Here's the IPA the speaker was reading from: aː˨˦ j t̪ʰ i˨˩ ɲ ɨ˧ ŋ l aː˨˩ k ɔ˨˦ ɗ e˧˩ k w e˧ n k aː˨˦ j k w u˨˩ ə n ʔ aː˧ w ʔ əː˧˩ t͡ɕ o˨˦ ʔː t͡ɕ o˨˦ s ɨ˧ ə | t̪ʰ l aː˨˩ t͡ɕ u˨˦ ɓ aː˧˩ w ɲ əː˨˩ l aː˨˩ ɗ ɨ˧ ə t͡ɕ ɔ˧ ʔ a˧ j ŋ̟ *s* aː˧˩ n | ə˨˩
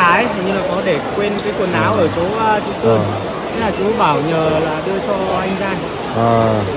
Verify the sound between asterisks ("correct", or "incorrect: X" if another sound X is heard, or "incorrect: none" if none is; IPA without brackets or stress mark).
incorrect: z